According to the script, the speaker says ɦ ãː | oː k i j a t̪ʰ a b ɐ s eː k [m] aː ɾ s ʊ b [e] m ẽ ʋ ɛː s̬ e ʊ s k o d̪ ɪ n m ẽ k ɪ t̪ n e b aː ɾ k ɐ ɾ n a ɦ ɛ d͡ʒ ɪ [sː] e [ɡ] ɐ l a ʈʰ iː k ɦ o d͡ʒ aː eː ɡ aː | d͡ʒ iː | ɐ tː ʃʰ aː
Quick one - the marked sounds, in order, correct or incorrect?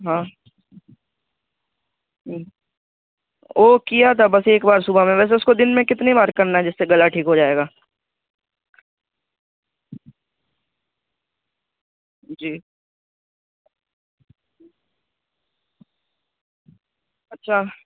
incorrect: b, incorrect: a, correct, correct

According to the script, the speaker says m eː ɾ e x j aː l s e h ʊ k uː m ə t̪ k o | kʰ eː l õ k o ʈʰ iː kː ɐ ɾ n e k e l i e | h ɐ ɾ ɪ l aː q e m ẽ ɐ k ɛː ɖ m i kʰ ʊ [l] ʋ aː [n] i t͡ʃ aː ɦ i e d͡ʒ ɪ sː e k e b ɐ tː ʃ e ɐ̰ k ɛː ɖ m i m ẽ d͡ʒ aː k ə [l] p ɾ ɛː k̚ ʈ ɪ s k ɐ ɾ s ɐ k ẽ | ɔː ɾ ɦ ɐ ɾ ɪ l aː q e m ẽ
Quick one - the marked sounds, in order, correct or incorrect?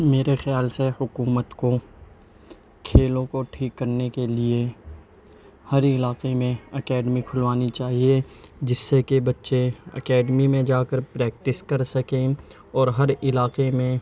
correct, correct, incorrect: ɾ

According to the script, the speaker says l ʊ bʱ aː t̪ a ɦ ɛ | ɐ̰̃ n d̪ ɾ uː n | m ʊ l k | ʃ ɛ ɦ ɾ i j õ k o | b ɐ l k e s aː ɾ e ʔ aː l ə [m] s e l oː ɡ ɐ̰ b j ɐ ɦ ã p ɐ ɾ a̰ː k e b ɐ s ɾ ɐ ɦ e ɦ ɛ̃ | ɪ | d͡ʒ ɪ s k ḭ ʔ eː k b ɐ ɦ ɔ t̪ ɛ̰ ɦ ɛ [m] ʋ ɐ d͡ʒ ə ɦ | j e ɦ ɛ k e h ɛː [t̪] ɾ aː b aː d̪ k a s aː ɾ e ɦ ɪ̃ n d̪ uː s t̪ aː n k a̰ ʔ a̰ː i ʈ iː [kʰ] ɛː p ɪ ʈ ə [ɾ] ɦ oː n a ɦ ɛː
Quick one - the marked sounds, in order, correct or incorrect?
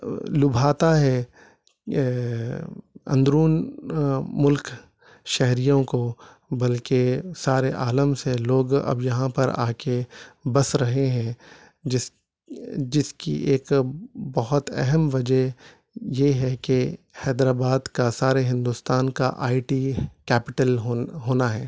correct, correct, incorrect: d̪, incorrect: k, incorrect: l

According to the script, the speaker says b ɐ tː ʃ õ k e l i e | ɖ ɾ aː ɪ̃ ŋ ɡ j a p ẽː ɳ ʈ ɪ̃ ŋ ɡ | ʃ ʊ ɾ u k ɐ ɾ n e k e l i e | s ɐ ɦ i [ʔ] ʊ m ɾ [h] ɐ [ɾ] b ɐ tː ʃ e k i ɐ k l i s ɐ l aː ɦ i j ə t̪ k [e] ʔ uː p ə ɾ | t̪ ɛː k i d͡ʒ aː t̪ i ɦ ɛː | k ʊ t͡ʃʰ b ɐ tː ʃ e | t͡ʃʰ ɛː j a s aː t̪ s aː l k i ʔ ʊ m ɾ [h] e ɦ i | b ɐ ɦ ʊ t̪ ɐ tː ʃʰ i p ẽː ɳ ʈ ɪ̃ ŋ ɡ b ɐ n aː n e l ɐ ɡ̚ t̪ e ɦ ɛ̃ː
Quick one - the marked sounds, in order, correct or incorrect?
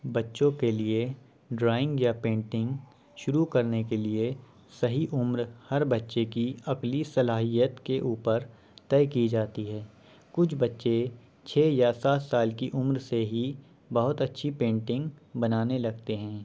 correct, correct, correct, correct, incorrect: s

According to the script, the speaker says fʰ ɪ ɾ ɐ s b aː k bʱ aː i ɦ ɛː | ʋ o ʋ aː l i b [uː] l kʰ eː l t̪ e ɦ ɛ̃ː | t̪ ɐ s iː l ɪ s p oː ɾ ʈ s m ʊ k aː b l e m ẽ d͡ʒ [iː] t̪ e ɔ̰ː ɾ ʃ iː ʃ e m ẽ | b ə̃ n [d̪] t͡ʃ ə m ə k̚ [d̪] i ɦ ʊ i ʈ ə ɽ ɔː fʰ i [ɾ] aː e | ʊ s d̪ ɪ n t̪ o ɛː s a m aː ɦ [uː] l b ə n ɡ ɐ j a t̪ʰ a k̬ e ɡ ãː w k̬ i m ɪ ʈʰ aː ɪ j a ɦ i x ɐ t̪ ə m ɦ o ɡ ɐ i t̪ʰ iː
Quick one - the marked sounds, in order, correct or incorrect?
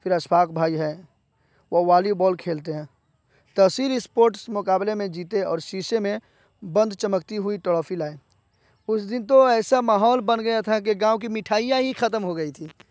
incorrect: ɔː, correct, correct, incorrect: t̪, incorrect: l, incorrect: ɔː

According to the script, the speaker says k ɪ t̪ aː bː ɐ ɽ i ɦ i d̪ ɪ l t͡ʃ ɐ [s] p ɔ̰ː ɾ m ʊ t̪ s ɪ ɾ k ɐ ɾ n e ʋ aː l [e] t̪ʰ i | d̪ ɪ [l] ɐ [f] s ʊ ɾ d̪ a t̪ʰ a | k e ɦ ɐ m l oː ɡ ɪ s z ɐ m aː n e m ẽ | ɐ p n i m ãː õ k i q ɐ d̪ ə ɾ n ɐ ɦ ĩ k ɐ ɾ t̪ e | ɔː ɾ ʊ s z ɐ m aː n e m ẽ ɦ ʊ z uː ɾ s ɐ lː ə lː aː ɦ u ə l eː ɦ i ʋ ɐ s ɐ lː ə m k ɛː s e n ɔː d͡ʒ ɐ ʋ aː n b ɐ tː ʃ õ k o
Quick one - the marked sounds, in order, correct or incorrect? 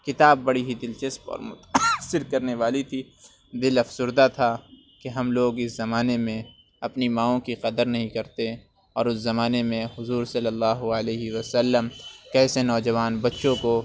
correct, incorrect: i, correct, correct

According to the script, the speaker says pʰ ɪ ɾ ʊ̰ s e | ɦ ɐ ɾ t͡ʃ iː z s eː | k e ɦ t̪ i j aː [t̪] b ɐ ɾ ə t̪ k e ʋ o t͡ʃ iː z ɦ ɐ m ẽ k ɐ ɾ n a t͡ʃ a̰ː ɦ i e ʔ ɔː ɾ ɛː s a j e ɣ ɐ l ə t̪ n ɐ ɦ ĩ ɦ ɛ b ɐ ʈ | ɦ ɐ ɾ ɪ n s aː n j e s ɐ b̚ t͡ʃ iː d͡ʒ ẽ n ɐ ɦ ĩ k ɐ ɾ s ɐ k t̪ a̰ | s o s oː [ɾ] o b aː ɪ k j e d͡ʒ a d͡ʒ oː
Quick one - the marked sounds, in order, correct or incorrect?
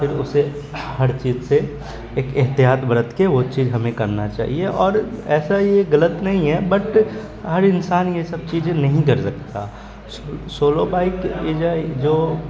correct, incorrect: l

